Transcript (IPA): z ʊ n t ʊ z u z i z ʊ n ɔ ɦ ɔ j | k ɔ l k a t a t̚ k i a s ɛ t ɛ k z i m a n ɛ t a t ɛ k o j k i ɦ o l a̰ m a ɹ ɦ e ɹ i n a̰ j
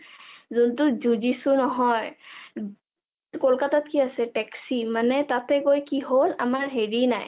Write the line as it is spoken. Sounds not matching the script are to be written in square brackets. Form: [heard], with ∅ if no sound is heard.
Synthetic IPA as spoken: z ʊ n t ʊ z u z i [s] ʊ n ɔ ɦ ɔ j | k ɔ l k a t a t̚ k i a s ɛ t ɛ k [s] i m a n ɛ t a t ɛ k o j k i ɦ o l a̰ m a ɹ ɦ e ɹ i n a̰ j